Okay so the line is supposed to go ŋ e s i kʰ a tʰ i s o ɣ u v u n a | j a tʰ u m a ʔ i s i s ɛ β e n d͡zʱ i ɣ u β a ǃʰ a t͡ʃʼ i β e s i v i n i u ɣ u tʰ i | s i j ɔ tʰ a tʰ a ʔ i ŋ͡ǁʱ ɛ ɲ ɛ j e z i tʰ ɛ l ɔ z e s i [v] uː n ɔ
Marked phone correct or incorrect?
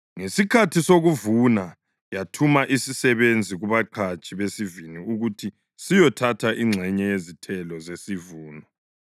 correct